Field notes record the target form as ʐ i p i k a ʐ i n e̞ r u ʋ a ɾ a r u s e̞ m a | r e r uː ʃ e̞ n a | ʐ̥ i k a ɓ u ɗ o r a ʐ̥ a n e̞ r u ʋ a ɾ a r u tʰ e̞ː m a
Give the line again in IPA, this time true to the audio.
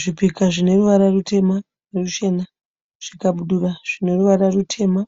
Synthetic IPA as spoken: ʐ i p i k a ʐ i n e̞ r u ʋ a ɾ a r u t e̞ m a | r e r u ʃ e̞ n a | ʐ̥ i k a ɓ u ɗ u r a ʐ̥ i n e̞ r u ʋ a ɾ a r u tʰ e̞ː m a